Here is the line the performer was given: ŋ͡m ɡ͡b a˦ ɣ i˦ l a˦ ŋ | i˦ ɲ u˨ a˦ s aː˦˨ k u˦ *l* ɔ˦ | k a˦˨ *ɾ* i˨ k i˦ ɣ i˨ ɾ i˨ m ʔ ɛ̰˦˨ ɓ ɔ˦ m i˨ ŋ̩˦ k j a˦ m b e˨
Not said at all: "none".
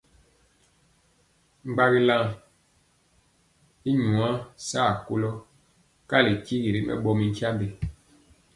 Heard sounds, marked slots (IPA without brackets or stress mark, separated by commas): l, l